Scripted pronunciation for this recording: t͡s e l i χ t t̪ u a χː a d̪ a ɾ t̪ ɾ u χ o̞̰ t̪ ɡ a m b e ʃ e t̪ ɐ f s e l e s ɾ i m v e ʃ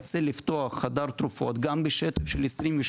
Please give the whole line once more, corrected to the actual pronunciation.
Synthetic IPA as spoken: t͡s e l i f t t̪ o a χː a d̪ a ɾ t̪ ɾ u f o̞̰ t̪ ɡ a m b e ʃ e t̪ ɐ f ʃ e l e s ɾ i m v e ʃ